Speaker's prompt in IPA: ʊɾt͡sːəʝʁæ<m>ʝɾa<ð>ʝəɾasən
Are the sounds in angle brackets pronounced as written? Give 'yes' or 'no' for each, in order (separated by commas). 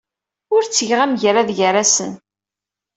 yes, yes